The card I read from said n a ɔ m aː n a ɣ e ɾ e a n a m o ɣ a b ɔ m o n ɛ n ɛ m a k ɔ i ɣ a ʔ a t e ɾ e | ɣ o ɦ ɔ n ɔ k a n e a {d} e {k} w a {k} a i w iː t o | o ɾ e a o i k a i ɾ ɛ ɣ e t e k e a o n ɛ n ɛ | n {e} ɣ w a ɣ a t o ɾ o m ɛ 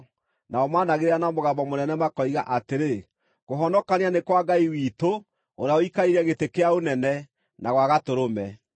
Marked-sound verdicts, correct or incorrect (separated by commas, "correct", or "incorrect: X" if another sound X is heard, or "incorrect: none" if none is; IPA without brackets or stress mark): incorrect: n, correct, incorrect: ɡ, incorrect: a